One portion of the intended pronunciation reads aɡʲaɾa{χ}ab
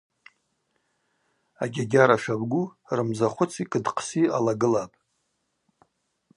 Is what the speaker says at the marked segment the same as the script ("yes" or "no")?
no